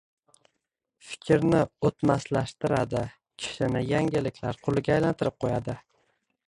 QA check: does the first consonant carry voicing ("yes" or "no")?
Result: no